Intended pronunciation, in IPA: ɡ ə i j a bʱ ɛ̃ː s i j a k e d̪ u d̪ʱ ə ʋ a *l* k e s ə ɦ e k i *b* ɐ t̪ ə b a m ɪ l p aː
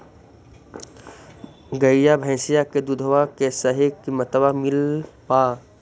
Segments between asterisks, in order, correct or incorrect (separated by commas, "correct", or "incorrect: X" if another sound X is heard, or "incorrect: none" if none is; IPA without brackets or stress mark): incorrect: none, incorrect: m